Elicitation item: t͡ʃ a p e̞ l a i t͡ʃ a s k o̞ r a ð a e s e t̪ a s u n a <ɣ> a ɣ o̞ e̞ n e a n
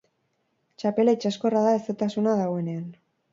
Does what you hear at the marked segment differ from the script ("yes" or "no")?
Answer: yes